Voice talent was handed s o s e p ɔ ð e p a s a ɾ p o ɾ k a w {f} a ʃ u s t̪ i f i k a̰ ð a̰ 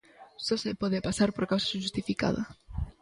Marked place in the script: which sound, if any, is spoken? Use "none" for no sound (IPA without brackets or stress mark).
s